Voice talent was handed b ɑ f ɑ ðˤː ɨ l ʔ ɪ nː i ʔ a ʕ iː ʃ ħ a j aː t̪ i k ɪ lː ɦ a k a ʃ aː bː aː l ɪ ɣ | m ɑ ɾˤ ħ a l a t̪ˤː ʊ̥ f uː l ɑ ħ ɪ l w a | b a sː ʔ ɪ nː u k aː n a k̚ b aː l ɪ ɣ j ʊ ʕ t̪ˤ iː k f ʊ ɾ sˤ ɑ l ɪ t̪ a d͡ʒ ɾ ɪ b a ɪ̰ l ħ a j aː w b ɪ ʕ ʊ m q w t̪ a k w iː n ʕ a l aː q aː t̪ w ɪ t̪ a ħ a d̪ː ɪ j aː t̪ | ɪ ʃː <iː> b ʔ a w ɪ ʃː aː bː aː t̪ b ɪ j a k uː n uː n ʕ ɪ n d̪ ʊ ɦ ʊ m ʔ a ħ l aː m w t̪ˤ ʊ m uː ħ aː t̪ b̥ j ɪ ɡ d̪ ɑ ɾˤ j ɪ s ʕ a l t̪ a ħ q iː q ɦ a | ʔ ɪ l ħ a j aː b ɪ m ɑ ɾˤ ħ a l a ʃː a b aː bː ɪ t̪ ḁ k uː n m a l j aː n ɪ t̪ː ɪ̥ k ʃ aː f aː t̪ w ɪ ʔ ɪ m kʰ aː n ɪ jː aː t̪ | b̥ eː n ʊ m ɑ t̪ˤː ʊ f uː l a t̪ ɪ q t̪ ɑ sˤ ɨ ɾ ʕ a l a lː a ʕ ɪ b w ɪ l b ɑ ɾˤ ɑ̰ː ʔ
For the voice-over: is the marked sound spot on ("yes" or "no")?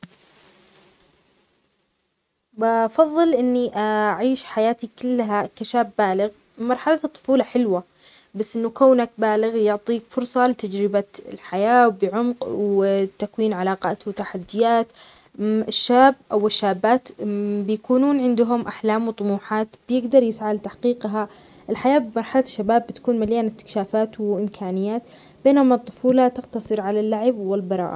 no